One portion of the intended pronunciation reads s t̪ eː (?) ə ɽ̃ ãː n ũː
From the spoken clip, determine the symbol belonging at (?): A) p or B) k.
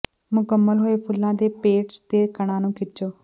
B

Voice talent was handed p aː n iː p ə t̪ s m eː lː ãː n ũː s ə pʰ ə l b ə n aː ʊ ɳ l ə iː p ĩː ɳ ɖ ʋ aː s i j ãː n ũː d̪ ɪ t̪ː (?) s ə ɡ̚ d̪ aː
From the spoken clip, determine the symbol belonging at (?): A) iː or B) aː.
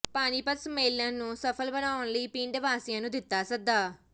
B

